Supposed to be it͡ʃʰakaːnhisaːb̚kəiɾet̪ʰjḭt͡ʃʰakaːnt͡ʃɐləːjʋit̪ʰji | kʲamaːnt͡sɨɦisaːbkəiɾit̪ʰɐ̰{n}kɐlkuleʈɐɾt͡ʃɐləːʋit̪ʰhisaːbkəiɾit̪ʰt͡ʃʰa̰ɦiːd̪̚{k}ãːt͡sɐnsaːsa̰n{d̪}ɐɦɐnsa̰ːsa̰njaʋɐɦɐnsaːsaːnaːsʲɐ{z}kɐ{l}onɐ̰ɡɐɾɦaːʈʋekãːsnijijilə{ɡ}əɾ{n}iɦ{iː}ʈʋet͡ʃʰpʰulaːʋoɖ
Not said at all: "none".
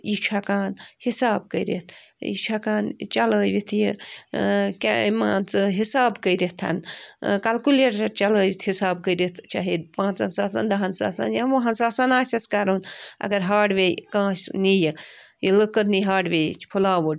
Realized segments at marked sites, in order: n, p, d̪, s, ɾ, k, n, aː

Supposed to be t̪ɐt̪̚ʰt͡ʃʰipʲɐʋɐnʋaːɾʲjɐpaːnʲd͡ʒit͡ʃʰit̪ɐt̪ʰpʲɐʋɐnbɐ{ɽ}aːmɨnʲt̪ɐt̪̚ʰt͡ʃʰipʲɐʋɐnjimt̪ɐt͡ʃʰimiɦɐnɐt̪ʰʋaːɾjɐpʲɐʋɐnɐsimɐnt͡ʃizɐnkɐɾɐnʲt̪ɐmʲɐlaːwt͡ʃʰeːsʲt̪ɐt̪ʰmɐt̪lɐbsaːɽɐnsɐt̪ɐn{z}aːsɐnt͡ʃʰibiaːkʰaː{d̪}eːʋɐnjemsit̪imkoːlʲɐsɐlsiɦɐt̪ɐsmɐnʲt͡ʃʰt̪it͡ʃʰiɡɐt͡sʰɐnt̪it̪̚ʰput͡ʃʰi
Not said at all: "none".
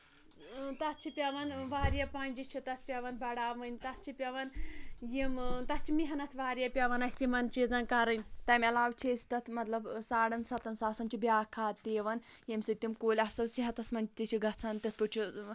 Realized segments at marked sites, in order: ɽ, s, t̪

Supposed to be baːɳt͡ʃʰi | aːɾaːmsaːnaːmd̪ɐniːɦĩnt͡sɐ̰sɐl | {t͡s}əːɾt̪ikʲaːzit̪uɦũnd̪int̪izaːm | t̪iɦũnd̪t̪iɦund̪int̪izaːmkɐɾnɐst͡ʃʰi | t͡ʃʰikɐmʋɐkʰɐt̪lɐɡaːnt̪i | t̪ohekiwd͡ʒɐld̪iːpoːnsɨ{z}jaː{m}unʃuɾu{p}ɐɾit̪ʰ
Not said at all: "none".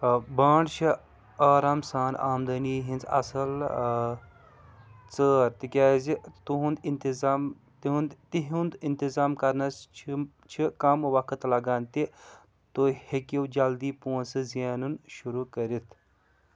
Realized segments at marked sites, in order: t͡s, z, n, k

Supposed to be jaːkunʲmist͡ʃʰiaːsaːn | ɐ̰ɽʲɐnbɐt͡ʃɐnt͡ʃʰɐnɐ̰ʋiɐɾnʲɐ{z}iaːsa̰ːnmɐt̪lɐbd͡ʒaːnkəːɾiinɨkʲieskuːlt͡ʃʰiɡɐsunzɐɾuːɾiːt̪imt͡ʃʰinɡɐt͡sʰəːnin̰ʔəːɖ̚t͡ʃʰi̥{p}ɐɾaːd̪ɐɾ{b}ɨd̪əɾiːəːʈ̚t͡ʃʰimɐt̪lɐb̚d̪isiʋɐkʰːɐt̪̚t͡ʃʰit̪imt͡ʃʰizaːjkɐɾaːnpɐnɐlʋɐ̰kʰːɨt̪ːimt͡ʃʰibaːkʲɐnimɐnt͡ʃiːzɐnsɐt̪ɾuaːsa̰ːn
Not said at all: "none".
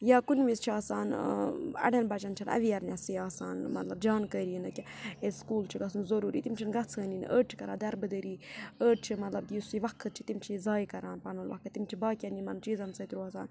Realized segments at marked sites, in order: s, k, b

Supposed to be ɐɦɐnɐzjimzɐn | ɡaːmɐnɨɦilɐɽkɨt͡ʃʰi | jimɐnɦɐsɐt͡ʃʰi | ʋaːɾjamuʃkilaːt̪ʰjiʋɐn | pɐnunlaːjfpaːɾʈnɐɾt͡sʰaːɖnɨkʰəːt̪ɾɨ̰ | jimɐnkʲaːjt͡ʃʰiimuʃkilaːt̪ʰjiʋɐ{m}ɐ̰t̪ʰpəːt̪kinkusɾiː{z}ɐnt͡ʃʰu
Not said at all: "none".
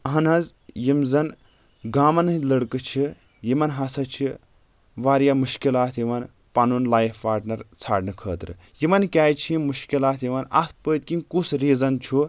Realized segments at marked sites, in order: n, z

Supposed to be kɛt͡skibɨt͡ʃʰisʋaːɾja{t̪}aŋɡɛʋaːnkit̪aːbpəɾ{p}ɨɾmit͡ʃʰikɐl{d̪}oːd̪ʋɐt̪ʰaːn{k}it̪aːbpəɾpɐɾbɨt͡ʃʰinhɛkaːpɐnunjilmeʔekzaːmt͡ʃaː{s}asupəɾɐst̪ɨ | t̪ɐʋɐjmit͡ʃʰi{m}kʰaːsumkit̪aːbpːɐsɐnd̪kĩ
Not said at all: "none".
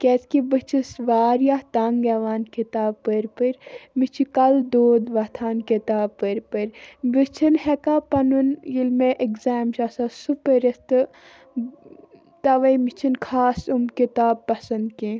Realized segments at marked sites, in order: t̪, p, d̪, k, s, n

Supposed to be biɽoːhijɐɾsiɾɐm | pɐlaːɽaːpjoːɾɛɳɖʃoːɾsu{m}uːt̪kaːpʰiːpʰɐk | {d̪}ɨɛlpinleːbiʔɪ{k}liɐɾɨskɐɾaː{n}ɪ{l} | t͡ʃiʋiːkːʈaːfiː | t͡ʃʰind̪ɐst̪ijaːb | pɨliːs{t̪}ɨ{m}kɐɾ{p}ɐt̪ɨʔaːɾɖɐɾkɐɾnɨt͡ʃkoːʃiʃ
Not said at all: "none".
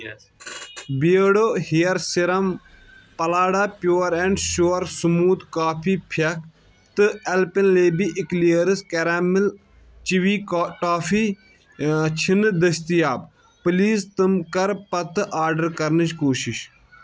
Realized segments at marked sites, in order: m, t̪, k, m, l, t̪, m, p

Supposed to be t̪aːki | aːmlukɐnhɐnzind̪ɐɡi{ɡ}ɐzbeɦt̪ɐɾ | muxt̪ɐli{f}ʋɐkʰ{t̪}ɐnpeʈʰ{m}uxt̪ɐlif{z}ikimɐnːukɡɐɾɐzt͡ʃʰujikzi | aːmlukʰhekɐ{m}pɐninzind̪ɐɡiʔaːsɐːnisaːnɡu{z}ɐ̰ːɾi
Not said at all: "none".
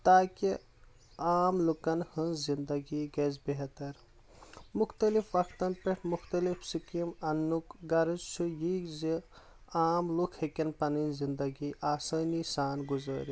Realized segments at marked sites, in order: ɡ, f, t̪, m, s, n, z

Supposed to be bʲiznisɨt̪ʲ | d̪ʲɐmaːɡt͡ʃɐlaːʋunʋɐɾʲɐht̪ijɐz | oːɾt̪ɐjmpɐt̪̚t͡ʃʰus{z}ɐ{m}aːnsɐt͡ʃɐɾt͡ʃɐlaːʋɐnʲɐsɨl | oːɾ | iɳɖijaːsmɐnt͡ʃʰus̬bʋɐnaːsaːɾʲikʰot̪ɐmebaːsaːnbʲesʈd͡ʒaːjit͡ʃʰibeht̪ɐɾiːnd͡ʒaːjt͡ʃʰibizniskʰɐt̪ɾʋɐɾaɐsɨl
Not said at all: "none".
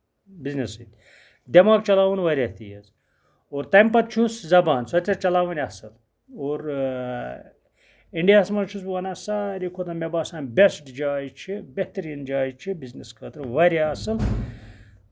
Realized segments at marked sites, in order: z, b

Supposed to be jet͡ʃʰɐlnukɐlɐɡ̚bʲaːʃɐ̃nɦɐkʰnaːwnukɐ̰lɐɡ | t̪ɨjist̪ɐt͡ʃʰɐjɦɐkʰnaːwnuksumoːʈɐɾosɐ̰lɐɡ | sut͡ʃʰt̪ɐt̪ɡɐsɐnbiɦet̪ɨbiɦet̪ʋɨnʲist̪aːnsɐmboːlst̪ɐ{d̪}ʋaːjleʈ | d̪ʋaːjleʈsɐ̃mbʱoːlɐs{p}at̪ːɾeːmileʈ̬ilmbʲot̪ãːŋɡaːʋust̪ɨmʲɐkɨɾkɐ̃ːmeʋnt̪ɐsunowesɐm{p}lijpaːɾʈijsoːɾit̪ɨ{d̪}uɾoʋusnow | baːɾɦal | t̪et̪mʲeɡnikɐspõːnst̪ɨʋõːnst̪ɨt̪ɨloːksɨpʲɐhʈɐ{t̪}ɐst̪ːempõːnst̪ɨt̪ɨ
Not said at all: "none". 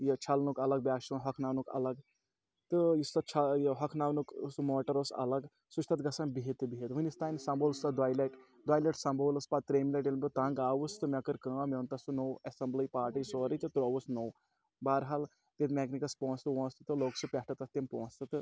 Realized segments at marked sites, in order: d̪, p, b, t̪, t̪

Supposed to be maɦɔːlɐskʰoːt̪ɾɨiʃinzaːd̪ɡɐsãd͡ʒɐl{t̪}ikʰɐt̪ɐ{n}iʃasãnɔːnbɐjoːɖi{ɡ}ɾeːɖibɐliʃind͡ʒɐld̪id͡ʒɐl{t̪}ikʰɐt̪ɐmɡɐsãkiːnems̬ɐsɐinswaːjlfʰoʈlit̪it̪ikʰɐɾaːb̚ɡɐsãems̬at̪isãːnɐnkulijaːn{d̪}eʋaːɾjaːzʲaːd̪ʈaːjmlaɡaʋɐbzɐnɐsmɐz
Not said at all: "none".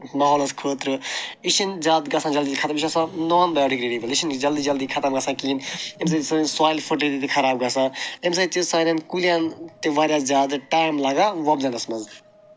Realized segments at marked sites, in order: d̪, m, k, d̪, t̪

